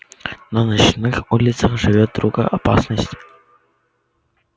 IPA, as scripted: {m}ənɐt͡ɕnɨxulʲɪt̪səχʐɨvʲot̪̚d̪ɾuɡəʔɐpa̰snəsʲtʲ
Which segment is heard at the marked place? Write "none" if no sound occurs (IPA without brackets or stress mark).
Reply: n